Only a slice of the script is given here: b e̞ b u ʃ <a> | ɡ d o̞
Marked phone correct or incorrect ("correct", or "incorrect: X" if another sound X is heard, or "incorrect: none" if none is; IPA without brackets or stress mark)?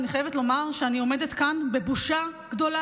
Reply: correct